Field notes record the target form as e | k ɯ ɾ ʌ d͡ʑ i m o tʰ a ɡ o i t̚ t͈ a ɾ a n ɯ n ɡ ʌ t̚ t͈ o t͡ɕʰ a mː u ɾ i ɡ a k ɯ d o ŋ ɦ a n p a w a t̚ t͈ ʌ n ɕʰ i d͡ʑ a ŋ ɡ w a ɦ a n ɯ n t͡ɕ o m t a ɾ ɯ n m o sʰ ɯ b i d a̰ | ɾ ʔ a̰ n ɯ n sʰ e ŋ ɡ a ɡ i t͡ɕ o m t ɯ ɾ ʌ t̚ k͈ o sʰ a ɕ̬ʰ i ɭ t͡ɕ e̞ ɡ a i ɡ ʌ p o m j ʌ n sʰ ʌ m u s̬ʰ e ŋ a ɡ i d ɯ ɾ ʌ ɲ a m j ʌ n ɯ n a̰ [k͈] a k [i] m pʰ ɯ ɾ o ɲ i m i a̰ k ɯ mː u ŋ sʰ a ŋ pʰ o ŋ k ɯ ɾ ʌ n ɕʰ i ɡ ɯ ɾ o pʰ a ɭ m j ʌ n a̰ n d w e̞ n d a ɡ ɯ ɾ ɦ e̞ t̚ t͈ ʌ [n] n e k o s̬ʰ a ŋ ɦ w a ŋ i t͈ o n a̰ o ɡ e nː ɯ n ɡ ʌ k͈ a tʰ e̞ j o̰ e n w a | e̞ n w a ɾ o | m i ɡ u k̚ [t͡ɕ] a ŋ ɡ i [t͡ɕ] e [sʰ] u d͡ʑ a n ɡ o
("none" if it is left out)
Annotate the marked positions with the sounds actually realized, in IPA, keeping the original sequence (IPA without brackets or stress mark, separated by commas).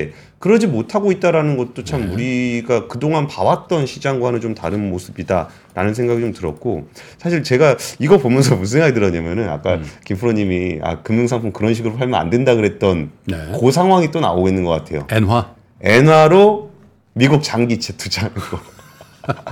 k͈, i, n, t͡ɕ, t͡ɕʰ, tʰ